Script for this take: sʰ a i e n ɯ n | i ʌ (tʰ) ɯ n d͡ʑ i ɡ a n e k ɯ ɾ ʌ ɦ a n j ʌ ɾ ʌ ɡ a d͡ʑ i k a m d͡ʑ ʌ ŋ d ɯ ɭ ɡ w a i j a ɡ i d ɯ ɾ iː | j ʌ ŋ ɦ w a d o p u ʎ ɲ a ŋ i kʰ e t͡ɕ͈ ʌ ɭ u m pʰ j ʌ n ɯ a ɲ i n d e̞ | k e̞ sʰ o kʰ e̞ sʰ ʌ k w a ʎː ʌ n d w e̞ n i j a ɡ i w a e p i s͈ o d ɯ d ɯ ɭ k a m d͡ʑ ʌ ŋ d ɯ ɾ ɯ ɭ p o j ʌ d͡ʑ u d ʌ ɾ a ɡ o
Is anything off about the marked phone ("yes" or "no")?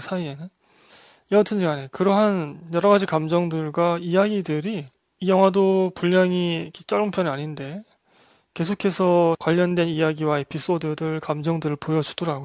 no